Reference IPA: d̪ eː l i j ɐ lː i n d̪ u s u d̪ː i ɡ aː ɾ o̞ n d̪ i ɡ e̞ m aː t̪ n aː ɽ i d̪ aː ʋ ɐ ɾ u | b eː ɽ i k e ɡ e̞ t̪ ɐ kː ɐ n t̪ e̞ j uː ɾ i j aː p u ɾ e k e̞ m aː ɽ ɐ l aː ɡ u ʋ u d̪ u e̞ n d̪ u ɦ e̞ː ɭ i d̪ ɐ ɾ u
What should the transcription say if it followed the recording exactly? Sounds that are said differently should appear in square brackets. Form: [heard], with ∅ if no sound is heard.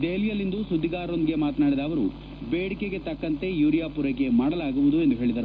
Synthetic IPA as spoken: d̪ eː l i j ɐ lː i n d̪ u s u d̪ː i ɡ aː ɾ o̞ n d̪ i ɡ e̞ m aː t̪ n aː ɽ i d̪ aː ʋ ɐ ɾ u | b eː ɽ i k e ɡ e̞ t̪ ɐ kː ɐ n t̪ e̞ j uː ɾ i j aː p u ɾ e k e̞ m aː ɽ ɐ l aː ɡ u ʋ u d̪ u e̞ n d̪ u ɦ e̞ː ɭ i d̪ ɐ ɾ u